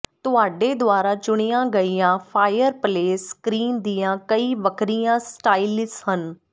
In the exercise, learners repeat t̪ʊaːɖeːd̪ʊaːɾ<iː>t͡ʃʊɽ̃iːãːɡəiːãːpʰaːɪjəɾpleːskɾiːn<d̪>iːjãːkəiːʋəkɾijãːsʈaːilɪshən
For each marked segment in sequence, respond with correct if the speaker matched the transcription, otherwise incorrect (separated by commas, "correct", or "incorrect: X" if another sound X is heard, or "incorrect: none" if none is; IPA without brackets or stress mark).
incorrect: aː, correct